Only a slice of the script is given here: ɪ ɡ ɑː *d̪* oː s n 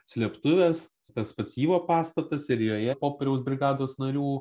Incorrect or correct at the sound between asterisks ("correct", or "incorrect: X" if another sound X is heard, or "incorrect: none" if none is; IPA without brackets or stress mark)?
correct